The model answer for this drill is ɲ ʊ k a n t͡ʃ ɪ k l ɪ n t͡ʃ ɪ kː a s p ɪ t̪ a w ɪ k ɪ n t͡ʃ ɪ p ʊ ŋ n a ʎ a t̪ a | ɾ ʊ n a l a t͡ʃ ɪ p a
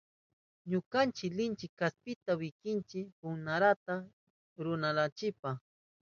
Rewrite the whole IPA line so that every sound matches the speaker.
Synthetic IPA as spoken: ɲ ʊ k a n t͡ʃ ɪ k l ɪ n t͡ʃ ɪ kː a s p ɪ t̪ a w ɪ k ɪ n t͡ʃ ɪ p ʊ ŋ n a ɾ a t̪ a | ɾ ʊ n a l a t͡ʃ ɪ p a